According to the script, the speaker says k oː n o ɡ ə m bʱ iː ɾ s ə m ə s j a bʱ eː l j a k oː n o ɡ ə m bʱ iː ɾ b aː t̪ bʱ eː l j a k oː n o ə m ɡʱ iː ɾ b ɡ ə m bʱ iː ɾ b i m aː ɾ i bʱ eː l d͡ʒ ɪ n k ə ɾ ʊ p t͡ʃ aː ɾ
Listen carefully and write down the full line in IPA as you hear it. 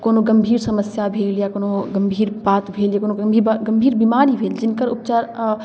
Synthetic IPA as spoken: k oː n o ɡ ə m bʱ iː ɾ s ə m ə s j a bʱ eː l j a k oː n o ɡ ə m bʱ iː ɾ b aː t̪ bʱ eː l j a k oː n o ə m bʱ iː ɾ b ɡ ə m bʱ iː ɾ b i m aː ɾ i bʱ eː l d͡ʒ ɪ n k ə ɾ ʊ p t͡ʃ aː ɾ